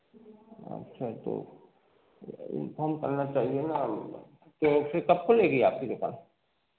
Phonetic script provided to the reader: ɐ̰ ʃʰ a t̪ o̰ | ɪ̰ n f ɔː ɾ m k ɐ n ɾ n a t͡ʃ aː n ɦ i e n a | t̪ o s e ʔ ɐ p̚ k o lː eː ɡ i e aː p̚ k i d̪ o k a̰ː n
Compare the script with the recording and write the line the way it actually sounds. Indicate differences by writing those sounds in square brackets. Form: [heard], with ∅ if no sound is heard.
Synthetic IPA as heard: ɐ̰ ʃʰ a t̪ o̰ | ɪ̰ n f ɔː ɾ m k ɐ [∅] ɾ n a t͡ʃ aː [∅] ɦ i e n a | t̪ o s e [k] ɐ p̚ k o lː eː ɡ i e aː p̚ k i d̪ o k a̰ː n